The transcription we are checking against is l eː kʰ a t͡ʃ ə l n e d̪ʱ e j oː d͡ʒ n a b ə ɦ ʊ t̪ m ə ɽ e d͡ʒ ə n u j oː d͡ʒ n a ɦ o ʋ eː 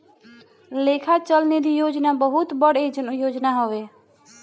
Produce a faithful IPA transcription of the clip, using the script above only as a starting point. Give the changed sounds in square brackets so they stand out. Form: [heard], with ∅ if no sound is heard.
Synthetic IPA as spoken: l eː kʰ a t͡ʃ ə l n e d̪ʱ [i] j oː d͡ʒ n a b ə ɦ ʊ t̪ [b] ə ɽ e d͡ʒ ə n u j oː d͡ʒ n a ɦ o ʋ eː

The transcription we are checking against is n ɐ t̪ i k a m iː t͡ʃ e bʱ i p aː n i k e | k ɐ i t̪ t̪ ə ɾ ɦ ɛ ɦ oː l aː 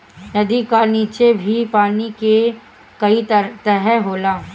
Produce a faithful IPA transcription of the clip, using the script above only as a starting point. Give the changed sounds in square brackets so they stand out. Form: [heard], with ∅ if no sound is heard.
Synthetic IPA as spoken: n ɐ [d̪] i k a [n] iː t͡ʃ e bʱ i p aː n i k e | k ɐ i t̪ t̪ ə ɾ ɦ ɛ ɦ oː l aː

